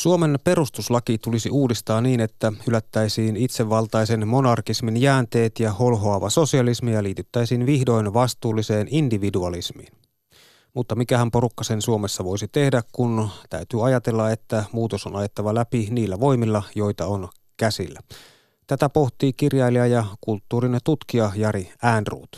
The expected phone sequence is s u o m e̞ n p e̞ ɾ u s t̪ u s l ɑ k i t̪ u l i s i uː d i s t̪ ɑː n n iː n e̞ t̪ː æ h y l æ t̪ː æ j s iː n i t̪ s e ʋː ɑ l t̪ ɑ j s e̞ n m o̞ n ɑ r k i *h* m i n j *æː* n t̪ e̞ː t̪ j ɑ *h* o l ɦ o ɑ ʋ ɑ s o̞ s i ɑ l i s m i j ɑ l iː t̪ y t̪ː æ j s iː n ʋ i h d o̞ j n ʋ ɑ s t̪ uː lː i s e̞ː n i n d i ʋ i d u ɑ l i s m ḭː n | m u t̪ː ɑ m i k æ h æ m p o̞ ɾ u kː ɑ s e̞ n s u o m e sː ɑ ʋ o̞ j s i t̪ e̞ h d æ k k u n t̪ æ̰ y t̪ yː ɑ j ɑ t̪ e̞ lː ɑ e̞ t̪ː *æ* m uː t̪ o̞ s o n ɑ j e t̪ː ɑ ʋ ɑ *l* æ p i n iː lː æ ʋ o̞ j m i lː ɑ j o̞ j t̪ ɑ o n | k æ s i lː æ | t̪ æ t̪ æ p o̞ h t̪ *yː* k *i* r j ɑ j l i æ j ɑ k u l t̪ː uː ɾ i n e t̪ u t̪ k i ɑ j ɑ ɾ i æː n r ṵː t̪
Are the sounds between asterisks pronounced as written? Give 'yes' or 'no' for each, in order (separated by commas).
no, yes, yes, yes, yes, no, yes